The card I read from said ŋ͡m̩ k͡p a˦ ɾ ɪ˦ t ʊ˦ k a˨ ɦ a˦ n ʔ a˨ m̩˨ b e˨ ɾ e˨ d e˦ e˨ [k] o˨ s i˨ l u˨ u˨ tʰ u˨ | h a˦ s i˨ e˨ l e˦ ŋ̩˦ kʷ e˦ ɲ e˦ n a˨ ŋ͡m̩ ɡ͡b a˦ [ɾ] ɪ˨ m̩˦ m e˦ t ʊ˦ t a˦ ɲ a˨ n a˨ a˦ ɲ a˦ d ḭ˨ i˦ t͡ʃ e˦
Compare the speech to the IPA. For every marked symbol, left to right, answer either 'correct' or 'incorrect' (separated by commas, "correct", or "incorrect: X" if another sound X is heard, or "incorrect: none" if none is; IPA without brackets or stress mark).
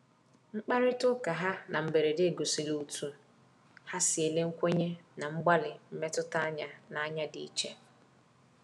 incorrect: ɡ, incorrect: l